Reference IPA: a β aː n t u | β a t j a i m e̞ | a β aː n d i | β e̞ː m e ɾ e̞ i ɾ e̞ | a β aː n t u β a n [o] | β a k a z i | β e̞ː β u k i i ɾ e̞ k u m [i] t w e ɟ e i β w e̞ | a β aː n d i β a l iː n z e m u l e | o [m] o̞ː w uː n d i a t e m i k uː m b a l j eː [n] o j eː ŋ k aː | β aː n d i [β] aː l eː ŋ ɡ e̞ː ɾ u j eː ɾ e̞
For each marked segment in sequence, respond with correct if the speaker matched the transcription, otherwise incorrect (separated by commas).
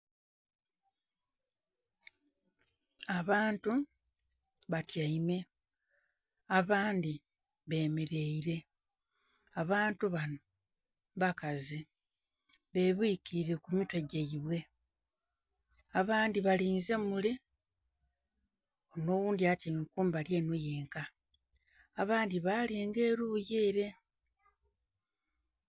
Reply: correct, correct, incorrect, correct, correct